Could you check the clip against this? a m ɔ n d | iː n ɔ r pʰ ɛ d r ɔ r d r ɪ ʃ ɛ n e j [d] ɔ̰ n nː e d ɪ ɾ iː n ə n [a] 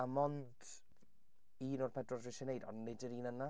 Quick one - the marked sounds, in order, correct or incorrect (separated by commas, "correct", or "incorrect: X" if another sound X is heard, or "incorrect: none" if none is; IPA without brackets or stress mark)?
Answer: correct, correct